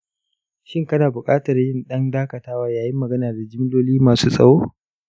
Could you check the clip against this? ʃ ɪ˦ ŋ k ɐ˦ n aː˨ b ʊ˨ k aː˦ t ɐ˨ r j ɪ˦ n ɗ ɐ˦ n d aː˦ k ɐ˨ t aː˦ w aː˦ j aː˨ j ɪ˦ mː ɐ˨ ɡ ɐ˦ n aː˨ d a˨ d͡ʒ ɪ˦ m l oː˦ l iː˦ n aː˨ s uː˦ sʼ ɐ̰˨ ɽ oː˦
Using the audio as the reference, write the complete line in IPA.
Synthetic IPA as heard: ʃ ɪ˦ ŋ k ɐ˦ n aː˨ b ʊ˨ kʼ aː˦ t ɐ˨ r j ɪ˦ n ɗ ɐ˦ n d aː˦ k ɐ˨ t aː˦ w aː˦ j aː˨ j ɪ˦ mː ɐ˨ ɡ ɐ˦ n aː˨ d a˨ d͡ʒ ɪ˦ m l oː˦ l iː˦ m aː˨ s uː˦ sʼ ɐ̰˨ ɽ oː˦